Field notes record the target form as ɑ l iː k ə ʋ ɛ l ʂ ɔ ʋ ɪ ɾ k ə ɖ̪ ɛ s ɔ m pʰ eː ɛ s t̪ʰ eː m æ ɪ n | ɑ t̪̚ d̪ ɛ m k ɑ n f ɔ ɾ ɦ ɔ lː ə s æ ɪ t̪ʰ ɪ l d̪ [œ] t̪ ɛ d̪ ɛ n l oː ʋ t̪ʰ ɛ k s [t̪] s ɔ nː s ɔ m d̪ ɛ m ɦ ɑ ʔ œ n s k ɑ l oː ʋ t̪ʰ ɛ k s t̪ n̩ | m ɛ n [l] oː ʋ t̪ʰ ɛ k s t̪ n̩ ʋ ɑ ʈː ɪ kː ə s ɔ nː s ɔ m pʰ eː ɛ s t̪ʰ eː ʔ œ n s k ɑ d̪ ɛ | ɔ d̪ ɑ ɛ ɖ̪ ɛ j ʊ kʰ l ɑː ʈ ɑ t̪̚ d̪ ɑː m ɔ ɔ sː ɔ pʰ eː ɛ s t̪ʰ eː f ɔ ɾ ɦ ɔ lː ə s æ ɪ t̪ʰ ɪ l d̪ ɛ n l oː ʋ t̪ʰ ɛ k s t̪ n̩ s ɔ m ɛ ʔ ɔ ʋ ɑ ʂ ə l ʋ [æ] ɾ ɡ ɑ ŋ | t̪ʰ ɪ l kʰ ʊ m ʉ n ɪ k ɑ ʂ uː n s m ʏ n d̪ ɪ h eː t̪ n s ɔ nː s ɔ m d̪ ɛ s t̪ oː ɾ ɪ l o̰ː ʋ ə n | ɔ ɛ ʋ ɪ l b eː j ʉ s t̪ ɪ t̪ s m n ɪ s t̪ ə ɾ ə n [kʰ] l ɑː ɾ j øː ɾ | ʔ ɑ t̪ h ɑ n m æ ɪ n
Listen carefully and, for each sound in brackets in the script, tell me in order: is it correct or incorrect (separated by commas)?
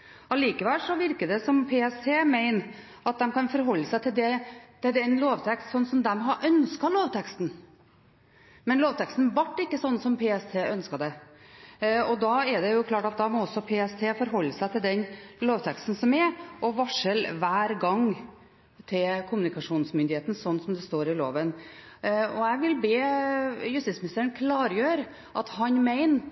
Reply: incorrect, correct, correct, incorrect, correct